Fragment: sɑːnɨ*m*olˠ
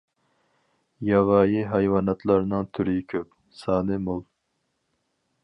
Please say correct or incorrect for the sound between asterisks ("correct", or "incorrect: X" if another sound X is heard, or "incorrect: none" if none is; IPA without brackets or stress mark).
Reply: correct